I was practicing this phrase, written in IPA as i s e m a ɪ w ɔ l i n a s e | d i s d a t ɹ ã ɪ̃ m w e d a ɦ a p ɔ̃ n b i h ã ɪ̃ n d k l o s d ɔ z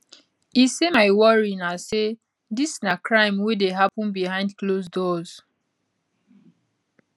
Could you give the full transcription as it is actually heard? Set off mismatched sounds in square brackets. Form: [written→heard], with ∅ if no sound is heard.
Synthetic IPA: i s e m a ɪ w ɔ [l→ɹ] i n a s e | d i s [d→n] a [t→k] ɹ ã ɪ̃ m w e d [a→e] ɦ a p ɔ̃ n b i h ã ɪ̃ n d k l o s d ɔ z